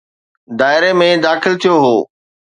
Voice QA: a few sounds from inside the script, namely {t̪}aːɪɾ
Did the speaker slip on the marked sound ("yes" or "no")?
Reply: yes